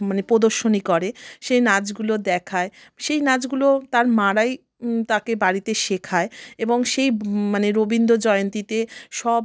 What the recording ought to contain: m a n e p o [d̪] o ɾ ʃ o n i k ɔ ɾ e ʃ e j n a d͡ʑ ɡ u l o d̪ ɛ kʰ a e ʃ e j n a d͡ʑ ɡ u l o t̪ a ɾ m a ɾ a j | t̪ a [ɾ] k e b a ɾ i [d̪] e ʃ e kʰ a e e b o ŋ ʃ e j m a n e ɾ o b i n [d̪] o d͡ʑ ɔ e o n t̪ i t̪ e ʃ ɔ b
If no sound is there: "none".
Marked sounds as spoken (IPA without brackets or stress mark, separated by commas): d̪, none, t̪, d̪